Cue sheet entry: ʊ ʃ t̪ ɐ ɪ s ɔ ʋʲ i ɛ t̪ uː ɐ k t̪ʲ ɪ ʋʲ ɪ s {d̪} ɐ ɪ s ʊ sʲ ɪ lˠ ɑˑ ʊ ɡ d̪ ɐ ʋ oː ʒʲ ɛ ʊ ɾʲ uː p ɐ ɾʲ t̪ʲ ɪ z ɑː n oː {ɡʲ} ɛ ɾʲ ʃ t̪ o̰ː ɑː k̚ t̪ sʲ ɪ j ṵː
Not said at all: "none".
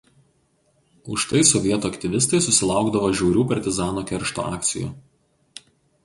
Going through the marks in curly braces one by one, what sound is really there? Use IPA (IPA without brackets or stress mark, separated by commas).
t̪, kʲ